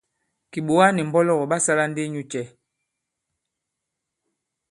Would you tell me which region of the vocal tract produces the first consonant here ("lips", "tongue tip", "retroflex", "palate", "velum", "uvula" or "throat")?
velum